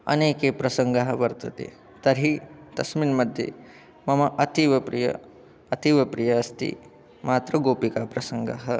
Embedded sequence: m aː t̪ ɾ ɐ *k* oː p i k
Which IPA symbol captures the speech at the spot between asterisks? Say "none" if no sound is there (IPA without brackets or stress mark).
ɡ